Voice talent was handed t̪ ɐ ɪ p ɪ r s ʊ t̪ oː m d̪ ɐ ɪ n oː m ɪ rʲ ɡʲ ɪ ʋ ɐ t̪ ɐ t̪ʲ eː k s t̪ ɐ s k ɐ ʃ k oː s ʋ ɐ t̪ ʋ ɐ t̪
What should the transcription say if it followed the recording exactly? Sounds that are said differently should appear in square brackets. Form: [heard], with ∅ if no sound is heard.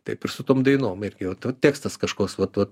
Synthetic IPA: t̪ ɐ ɪ p ɪ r s ʊ t̪ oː m d̪ ɐ ɪ n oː m ɪ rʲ ɡʲ ɪ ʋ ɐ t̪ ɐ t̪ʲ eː k s t̪ ɐ s k ɐ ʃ k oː s ʋ ɐ t̪ ʋ ɐ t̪